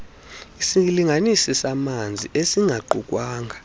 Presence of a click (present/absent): present